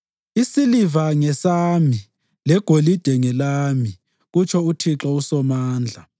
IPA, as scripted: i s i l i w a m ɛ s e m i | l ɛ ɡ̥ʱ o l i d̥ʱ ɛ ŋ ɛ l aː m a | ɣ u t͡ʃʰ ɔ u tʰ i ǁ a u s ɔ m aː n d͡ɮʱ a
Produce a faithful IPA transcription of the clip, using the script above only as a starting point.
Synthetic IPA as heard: i s i l i v a ŋ ɛ s a m i | l ɛ ɡ̥ʱ o l i d̥ʱ ɛ ŋ ɛ l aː m i | ɣ u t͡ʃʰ ɔ u tʰ i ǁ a u s ɔ m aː n d͡ɮʱ a